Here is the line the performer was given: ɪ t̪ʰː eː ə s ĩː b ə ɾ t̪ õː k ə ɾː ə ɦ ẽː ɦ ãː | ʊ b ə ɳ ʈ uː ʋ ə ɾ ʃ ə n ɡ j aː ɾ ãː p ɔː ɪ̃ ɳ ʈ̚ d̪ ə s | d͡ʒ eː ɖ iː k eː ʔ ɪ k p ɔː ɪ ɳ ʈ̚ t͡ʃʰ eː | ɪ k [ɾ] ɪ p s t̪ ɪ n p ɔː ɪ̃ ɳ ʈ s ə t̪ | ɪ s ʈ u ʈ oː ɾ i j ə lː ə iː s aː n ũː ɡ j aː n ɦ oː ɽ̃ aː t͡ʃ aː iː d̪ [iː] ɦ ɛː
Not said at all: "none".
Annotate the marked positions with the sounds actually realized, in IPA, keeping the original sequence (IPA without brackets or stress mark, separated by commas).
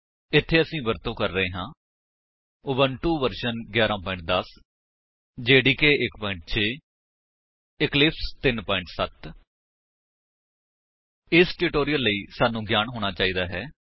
l, aː